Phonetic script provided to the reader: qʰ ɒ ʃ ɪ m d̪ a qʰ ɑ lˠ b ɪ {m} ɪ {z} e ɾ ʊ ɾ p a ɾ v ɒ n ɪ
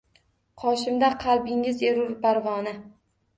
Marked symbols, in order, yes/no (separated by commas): no, yes